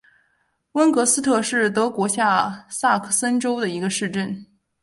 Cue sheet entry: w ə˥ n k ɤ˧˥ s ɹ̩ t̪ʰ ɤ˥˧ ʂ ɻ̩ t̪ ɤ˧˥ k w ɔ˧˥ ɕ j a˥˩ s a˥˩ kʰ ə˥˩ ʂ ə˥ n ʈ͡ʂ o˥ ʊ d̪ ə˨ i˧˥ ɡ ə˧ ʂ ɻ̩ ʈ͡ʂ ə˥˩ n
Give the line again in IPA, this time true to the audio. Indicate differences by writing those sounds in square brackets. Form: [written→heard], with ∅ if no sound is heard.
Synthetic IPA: w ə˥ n k ɤ˧˥ s ɹ̩ t̪ʰ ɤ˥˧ ʂ ɻ̩ t̪ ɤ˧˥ k w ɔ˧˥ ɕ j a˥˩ s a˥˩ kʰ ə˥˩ [ʂ→s] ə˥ n ʈ͡ʂ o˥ ʊ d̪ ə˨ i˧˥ ɡ ə˧ ʂ ɻ̩ ʈ͡ʂ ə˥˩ n